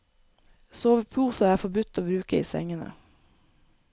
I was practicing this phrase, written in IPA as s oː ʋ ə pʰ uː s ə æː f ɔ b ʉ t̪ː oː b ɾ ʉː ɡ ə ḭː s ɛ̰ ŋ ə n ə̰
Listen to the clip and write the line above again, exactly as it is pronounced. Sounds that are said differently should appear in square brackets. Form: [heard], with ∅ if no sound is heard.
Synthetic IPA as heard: s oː ʋ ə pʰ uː s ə æː f ɔ b ʉ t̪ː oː b ɾ ʉː [k] ə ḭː s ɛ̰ ŋ ə n ə̰